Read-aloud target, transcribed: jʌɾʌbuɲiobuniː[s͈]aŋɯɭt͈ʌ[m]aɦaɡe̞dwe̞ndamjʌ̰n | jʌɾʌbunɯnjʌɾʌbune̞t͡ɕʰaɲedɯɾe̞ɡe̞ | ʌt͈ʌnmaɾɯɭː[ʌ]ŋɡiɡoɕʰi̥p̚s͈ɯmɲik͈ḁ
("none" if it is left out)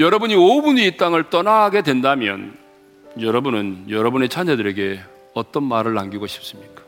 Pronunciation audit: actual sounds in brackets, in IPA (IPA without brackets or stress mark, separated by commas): t͈, n, a